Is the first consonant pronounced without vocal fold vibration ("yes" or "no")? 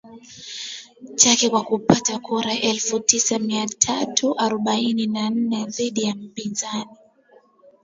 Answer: yes